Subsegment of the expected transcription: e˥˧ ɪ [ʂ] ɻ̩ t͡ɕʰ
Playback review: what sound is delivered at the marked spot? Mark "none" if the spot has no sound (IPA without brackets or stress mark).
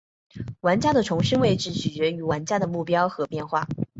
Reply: ʈ͡ʂ